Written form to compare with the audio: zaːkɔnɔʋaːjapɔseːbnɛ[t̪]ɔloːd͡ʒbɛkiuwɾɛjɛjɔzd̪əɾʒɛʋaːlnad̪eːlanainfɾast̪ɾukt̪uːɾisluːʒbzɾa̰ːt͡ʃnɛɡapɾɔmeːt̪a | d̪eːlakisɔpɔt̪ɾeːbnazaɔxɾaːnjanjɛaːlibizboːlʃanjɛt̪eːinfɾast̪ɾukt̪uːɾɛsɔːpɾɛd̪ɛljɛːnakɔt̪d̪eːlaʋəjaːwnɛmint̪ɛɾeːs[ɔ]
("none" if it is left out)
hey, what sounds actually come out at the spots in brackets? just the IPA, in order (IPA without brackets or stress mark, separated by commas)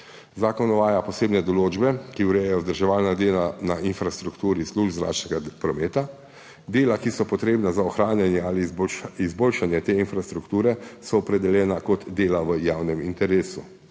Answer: d̪, u